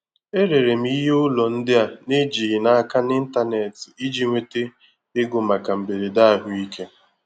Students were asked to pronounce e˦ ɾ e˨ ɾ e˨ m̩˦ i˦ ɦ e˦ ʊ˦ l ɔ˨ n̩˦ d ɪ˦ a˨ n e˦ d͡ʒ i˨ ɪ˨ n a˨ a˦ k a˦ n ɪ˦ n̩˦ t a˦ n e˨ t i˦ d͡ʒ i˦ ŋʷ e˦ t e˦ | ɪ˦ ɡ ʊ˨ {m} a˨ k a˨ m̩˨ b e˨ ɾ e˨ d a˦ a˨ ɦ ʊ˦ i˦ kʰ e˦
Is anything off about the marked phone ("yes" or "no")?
no